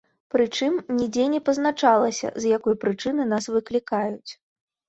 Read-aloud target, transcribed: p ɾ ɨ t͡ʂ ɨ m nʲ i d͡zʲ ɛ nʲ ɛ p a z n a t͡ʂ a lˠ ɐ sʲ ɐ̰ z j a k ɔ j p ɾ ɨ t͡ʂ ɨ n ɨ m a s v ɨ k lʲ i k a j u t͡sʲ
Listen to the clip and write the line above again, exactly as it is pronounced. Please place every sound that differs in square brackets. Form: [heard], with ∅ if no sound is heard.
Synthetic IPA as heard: p ɾ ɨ t͡ʂ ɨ m nʲ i d͡zʲ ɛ nʲ ɛ p [ɐ] z n a t͡ʂ a lˠ ɐ sʲ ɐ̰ z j a k ɔ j p ɾ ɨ t͡ʂ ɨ n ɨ [n] a s v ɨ k lʲ i k a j u t͡sʲ